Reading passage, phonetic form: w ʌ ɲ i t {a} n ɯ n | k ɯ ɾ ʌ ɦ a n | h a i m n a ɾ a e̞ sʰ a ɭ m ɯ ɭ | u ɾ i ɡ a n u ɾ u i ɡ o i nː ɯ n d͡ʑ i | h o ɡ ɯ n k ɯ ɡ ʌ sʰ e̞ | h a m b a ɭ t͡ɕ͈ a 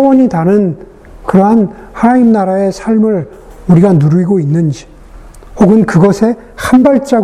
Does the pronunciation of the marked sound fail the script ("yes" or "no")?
no